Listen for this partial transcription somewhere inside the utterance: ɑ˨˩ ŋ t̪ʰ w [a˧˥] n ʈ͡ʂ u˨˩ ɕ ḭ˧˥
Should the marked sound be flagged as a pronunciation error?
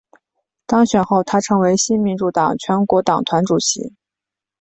no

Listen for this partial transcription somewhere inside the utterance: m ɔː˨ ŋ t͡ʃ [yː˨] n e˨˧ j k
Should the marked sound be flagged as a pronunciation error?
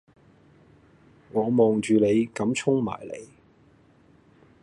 no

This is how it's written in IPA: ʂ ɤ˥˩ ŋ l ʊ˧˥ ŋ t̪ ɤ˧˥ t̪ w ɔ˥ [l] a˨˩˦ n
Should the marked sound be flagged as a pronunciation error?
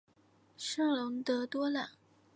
no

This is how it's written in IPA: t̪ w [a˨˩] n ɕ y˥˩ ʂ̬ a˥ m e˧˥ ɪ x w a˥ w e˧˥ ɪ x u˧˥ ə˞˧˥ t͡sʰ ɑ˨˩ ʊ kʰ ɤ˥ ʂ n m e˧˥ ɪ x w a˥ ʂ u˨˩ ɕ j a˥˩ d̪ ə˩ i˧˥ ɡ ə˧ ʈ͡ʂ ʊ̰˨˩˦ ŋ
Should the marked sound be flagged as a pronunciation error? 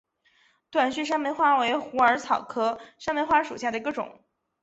no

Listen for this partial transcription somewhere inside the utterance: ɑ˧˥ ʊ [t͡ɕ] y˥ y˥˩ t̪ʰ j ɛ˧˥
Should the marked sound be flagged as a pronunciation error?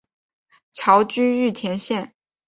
no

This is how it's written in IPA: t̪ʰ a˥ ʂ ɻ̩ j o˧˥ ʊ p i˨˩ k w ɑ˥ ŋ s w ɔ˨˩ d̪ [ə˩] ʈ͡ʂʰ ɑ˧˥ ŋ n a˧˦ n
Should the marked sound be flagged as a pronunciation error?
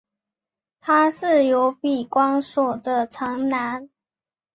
yes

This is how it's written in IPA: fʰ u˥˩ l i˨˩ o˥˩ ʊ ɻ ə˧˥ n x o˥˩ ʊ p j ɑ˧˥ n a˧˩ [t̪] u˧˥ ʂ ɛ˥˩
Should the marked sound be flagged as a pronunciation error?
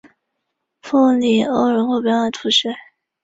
yes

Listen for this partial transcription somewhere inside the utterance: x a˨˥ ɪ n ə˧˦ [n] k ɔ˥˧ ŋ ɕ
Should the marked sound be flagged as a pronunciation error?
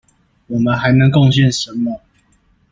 yes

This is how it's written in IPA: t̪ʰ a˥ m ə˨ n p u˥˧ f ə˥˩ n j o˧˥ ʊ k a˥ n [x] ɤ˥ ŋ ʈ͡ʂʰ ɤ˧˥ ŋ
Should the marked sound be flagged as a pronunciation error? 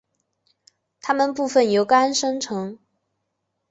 yes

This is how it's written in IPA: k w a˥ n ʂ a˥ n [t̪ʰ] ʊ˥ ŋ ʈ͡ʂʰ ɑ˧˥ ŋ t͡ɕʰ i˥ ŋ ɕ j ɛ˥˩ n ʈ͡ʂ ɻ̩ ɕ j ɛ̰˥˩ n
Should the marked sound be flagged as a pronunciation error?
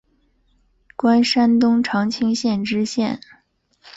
yes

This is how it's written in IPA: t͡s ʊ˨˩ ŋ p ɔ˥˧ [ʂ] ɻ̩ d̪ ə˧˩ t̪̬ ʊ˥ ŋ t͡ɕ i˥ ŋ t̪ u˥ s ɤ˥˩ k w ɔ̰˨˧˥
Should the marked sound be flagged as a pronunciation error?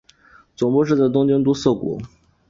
no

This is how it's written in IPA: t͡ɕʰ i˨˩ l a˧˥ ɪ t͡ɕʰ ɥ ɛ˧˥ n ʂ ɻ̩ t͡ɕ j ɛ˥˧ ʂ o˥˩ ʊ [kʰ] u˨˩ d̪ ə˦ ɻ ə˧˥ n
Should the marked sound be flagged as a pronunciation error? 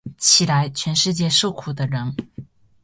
no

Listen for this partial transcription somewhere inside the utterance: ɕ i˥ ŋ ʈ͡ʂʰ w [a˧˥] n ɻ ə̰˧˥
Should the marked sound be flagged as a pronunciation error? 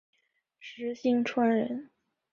yes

